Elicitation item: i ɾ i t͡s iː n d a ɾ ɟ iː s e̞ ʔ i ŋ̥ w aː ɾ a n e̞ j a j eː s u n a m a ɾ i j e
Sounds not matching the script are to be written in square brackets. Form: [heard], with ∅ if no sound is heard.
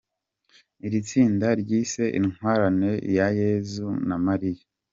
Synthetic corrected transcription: i ɾ i t͡s iː n d a ɾ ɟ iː s e̞ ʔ i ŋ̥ w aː ɾ a n e̞ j a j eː [z] u n a m a ɾ i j [a]